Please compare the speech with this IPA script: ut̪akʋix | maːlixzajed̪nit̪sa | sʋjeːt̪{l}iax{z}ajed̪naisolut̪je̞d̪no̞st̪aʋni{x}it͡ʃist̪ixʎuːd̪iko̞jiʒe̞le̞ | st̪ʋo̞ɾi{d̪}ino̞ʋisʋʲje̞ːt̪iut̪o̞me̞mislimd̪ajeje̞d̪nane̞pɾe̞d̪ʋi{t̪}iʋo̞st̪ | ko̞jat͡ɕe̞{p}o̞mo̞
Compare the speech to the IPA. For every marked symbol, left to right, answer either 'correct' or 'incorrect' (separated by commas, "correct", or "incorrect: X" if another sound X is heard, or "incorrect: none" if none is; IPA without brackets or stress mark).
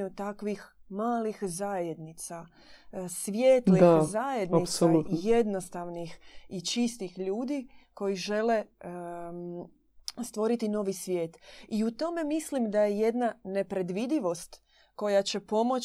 correct, correct, correct, incorrect: t̪, incorrect: d̪, correct